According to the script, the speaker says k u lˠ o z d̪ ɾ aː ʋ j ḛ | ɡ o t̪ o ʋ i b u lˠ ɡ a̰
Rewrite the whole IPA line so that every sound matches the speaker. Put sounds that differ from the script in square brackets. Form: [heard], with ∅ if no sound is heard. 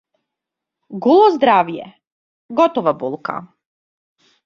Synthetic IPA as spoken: [ɡ] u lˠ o z d̪ ɾ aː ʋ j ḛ | ɡ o t̪ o ʋ [a] b u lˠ [k] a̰